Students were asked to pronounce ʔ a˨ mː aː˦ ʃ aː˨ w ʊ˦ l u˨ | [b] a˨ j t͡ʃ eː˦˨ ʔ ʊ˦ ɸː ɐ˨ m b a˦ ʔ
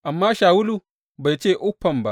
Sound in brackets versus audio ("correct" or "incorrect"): correct